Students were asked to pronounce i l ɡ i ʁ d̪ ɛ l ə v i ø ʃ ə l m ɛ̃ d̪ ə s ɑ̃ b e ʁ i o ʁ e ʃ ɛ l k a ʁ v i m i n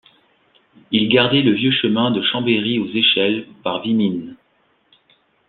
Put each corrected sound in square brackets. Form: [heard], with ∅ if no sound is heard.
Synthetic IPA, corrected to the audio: i l ɡ [a] ʁ d̪ ɛ l ə v [j] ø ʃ ə [∅] m ɛ̃ d̪ ə [ʃ] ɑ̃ b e ʁ i o [z] e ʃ ɛ l [p] a ʁ v i m i n